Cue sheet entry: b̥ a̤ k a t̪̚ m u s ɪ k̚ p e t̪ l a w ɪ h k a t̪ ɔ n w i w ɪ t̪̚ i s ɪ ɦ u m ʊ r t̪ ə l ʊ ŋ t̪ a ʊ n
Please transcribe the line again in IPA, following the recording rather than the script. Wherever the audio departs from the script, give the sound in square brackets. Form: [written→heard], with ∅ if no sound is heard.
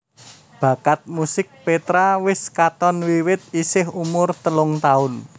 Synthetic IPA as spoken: b̥ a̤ k a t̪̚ m u s ɪ k̚ p e t̪ [l→ɾ] a w ɪ [h→s] k a t̪ ɔ n w i w ɪ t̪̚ i s ɪ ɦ u m ʊ r t̪ ə l ʊ ŋ t̪ a ʊ n